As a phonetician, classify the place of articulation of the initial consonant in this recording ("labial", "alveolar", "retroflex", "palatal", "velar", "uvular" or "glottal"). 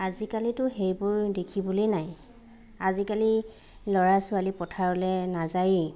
alveolar